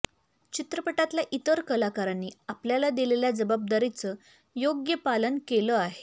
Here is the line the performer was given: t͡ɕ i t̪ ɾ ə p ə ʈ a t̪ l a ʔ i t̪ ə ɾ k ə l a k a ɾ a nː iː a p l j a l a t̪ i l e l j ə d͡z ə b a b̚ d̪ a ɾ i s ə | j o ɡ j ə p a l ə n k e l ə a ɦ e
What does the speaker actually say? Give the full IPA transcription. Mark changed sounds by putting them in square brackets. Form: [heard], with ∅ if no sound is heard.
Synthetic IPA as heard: t͡ɕ i t̪ ɾ ə p ə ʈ a t̪ l a ʔ i t̪ ə ɾ k ə l a k a ɾ a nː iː a p l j a l a [d̪] i l e l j [a] d͡z ə b a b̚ d̪ a ɾ i [t͡s] ə | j o ɡ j ə p a l ə n k e l ə a ɦ e